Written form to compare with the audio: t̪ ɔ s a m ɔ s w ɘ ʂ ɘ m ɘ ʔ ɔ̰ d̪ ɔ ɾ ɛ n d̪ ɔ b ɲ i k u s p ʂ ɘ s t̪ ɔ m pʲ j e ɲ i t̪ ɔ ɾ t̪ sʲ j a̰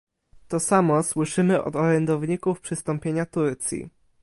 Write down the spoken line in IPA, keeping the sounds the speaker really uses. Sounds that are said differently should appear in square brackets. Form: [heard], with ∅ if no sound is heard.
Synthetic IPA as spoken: t̪ ɔ s a m ɔ s w ɘ ʂ ɘ m ɘ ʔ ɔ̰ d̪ ɔ ɾ ɛ n d̪ ɔ [v] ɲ i k u [f] p ʂ ɘ s t̪ ɔ m pʲ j e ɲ [a] t̪ [u] ɾ t̪ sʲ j [ḭ]